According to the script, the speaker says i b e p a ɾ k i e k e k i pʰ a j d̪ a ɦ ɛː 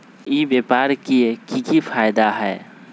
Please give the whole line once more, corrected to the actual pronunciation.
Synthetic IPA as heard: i b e p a ɾ k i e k i k i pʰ a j d̪ a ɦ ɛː

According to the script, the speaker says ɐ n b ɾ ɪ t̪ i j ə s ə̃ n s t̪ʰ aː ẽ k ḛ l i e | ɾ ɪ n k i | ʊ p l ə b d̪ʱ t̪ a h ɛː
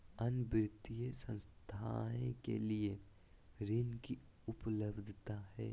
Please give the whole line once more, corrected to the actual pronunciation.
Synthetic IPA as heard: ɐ n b ɾ ɪ t̪ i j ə s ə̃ n s t̪ʰ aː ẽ k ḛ l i e | ɾ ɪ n k i | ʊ p l ə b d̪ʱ t̪ a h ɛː

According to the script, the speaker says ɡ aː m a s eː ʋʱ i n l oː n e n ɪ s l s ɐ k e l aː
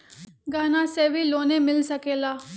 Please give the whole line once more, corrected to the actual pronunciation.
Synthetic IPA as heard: ɡ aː n a s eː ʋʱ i l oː n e m ɪ l s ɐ k e l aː

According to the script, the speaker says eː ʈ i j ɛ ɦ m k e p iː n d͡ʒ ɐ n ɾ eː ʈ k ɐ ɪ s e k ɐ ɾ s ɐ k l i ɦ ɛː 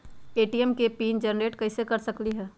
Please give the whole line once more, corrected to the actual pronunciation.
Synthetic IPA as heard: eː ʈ i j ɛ m k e p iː n d͡ʒ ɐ n ɾ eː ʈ k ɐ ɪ s e k ɐ ɾ s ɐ k l i ɦ ɛː

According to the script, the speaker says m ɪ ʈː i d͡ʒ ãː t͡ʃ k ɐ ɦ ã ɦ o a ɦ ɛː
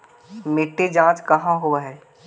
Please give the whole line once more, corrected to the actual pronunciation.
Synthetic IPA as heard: m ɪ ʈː e d͡ʒ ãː t͡ʃ k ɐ ɦ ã ɦ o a ɦ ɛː

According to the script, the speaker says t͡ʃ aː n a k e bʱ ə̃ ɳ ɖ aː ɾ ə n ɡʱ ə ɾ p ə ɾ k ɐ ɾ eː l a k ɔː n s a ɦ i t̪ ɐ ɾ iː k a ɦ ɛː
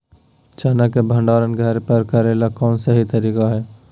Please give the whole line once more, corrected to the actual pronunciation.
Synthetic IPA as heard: t͡ʃ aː n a k e bʱ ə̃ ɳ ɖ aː ɾ ə n ɡʱ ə ɾ p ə ɾ k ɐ ɾ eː l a k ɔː n s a ɦ i t̪ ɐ ɾ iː k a ɦ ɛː

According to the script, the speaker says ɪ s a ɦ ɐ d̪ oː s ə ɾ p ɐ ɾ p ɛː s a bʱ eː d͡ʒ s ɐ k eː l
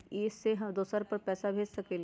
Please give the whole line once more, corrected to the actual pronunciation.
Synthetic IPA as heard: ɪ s e ɦ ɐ d̪ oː s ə ɾ p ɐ ɾ p ɛː s a bʱ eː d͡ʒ s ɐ k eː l

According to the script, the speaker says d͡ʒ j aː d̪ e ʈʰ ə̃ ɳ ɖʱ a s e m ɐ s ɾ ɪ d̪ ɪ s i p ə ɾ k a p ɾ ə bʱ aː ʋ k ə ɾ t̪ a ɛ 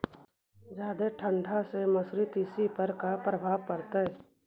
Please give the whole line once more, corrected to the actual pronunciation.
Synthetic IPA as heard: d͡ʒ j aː d̪ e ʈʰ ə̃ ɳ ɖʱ a s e m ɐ s ɾ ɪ t̪ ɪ s i p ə ɾ k a p ɾ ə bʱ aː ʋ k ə ɾ t̪ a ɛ

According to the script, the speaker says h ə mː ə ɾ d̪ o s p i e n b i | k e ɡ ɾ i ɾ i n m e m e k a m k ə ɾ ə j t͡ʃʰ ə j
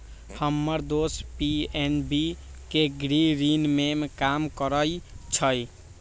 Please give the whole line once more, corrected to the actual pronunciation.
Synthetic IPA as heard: h ə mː ə ɾ d̪ o s p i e n b i | k e ɡ ɾ i ɾ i n m e m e k a m k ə ɾ ə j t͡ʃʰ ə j

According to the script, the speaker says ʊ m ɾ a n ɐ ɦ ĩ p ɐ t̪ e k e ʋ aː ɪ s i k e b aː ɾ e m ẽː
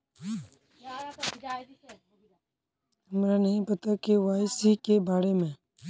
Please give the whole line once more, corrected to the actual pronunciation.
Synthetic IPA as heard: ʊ m ɾ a n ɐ ɦ ĩ p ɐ t̪ a k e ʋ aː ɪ s i k e b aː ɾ e m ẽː

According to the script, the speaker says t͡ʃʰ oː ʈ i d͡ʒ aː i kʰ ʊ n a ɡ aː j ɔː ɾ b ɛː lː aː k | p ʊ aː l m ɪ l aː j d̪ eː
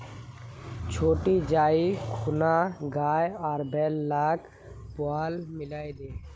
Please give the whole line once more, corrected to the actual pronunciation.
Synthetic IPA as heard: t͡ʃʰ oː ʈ i d͡ʒ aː i kʰ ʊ n a ɡ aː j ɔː ɾ b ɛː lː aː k | p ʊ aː l m ɪ l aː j d̪ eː

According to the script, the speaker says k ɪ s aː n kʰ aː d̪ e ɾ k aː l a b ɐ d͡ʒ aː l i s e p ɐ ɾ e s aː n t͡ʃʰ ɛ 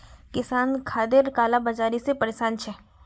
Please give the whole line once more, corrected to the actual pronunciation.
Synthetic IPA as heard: k ɪ s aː n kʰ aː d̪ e ɾ k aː l a b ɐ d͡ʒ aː ɾ i s e p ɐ ɾ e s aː n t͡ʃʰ ɛ

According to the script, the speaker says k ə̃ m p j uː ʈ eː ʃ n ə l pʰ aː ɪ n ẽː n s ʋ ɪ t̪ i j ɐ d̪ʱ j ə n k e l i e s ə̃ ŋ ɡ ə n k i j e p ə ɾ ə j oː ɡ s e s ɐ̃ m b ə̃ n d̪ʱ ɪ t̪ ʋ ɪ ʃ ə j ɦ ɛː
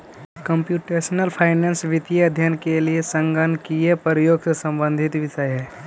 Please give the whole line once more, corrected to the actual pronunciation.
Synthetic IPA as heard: k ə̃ m p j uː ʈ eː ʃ n ə l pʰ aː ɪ n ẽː n s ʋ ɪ t̪ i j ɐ d̪ʱ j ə n k e l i e s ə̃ ŋ ɡ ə n k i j e p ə ɾ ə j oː ɡ s e s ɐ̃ m b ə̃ n d̪ʱ ɪ t̪ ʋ ɪ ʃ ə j ɦ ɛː

